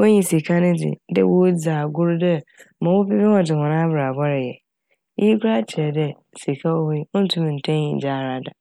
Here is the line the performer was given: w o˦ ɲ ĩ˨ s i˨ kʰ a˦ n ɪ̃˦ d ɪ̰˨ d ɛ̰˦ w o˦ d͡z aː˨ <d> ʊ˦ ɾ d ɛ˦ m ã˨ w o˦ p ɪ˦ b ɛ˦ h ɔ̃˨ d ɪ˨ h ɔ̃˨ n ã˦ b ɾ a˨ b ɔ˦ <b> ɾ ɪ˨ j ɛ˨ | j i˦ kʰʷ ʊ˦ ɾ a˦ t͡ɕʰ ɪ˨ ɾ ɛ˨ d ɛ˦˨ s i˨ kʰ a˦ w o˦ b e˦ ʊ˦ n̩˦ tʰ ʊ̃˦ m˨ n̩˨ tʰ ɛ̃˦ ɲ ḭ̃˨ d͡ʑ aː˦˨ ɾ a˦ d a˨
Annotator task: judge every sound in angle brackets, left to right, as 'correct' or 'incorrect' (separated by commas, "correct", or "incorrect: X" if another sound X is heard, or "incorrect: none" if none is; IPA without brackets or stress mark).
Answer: incorrect: ɡ, incorrect: none